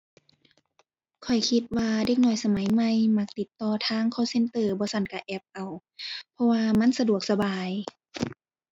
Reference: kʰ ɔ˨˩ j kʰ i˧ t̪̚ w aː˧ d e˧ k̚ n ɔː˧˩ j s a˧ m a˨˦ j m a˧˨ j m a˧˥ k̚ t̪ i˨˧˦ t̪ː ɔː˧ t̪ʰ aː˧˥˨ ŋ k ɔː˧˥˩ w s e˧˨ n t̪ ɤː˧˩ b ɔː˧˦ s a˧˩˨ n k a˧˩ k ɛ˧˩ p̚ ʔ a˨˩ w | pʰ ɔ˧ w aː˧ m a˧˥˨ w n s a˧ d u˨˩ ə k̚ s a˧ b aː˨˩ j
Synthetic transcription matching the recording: kʰ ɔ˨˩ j kʰ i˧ t̪̚ w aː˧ d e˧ k̚ n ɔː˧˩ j s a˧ m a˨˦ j m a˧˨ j m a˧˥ k̚ t̪ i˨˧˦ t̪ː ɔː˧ t̪ʰ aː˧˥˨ ŋ kʰ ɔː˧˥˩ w s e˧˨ n t̪ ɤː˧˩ b ɔː˧˦ s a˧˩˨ n k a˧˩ ʔ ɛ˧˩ p̚ ʔ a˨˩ w | pʰ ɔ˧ w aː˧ m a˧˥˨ n s a˧ d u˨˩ ə k̚ s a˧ b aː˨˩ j